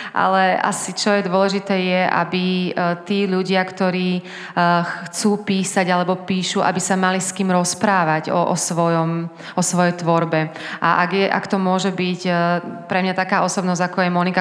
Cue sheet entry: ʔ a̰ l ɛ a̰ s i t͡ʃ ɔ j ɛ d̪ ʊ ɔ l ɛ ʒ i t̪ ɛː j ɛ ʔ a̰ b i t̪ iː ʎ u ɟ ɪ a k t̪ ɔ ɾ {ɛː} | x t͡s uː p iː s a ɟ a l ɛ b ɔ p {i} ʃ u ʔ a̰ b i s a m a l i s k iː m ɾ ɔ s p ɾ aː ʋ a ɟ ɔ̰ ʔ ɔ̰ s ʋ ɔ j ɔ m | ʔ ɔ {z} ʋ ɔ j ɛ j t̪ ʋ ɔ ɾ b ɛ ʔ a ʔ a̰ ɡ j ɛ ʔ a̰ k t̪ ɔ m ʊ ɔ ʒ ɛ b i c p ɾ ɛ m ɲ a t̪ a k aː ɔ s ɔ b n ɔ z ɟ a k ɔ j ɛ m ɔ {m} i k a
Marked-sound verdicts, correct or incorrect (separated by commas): incorrect, incorrect, incorrect, incorrect